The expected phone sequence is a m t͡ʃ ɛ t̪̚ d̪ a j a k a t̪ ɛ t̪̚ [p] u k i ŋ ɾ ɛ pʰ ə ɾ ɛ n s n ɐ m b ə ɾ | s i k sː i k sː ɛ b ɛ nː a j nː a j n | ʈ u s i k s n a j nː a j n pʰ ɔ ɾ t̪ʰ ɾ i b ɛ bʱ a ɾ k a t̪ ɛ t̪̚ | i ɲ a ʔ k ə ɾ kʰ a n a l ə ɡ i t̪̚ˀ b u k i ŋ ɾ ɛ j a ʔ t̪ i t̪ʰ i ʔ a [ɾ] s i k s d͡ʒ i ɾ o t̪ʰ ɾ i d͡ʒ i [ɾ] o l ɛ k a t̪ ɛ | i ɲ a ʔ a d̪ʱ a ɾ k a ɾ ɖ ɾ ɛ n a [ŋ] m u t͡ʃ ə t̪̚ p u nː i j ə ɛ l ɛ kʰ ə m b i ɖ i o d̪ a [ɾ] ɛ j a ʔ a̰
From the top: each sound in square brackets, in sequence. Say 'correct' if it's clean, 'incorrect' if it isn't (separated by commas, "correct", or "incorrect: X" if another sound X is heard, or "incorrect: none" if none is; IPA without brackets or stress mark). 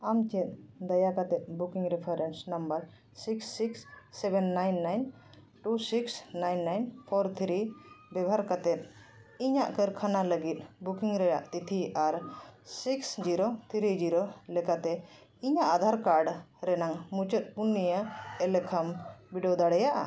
incorrect: b, correct, correct, correct, incorrect: ɽ